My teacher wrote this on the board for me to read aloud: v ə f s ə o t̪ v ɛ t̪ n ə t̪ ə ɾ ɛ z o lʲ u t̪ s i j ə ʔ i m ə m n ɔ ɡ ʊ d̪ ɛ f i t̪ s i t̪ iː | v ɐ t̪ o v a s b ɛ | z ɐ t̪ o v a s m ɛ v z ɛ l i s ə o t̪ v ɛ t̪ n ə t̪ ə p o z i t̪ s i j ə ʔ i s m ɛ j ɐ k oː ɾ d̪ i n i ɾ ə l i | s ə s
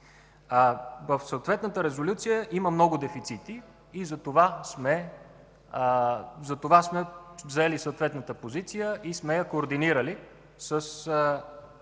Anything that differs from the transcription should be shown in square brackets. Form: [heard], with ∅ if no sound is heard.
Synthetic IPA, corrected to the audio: v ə f s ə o t̪ v ɛ t̪ n ə t̪ ə ɾ ɛ z o lʲ u t̪ s i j ə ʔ i m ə m n ɔ ɡ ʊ d̪ ɛ f i t̪ s i t̪ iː | [z] ɐ t̪ o v a s [m] ɛ | z ɐ t̪ o v a s m ɛ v z ɛ l i s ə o t̪ v ɛ t̪ n ə t̪ ə p o z i t̪ s i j ə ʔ i s m ɛ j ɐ k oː ɾ d̪ i n i ɾ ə l i | s ə s

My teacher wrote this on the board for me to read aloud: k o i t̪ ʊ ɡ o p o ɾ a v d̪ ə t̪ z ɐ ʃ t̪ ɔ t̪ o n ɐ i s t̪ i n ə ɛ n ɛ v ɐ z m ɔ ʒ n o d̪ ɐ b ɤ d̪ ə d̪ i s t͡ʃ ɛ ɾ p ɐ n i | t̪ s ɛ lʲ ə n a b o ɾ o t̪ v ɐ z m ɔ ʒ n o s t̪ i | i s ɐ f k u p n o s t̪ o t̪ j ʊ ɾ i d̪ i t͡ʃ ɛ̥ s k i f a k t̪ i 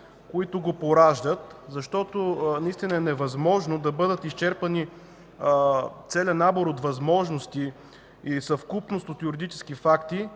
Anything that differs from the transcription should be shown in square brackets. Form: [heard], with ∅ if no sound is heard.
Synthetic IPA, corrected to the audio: k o i t̪ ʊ ɡ o p o ɾ a [ʒ] d̪ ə t̪ z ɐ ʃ t̪ ɔ t̪ o n ɐ i s t̪ i n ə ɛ n ɛ v ɐ z m ɔ ʒ n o d̪ ɐ b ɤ d̪ ə [t̪] i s t͡ʃ ɛ ɾ p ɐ n i | t̪ s ɛ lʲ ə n a b o ɾ o t̪ v ɐ z m ɔ ʒ n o s t̪ i | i s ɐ f k u p n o s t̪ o t̪ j ʊ ɾ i d̪ i t͡ʃ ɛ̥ s k i f a k t̪ i

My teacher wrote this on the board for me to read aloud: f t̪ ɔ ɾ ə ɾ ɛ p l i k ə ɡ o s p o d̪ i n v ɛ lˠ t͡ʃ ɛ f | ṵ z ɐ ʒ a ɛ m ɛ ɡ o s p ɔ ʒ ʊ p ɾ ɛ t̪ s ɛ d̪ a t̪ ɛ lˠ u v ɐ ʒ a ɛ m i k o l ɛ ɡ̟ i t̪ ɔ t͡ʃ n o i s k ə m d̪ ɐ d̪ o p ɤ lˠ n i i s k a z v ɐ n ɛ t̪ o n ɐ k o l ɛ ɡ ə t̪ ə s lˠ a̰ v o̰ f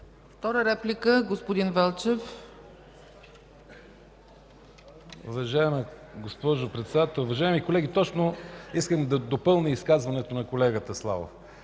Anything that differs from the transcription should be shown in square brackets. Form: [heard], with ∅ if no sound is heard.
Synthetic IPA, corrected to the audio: f t̪ ɔ ɾ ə ɾ ɛ p l i k ə ɡ o s p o d̪ i n v ɛ lˠ t͡ʃ ɛ f | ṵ [v] ɐ ʒ a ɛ m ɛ ɡ o s p ɔ ʒ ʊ p ɾ ɛ t̪ s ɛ d̪ a t̪ ɛ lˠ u v ɐ ʒ a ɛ m i k o l ɛ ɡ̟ i t̪ ɔ t͡ʃ n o i s k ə m d̪ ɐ d̪ o p ɤ lˠ n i i s k a z v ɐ n ɛ t̪ o n ɐ k o l ɛ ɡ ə t̪ ə s lˠ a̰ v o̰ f

